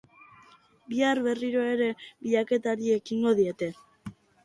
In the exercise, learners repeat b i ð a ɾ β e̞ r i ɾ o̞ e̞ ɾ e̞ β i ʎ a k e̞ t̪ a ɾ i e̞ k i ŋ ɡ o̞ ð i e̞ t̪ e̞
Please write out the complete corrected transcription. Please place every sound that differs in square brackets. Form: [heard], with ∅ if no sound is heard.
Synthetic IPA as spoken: b i [∅] a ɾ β e̞ r i ɾ o̞ e̞ ɾ e̞ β i ʎ a k e̞ t̪ a ɾ i e̞ k i ŋ ɡ o̞ ð i e̞ t̪ e̞